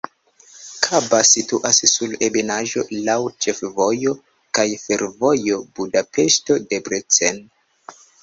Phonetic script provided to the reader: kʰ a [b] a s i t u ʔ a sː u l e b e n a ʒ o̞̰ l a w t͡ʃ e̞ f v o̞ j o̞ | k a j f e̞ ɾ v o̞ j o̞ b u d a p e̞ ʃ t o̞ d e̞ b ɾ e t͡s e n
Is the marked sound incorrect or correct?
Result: correct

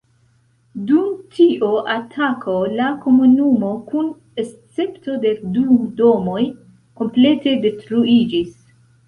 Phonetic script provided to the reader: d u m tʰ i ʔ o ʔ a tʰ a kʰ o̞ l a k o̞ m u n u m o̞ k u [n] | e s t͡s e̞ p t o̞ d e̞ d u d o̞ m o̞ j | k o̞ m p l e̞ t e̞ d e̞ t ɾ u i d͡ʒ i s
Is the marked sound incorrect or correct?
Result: correct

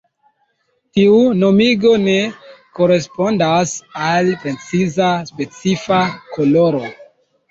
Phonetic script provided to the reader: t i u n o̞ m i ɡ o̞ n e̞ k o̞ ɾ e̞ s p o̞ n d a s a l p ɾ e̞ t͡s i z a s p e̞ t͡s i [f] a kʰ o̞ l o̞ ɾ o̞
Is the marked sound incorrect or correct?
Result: correct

